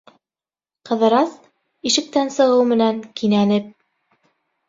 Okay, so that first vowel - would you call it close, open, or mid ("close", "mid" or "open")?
mid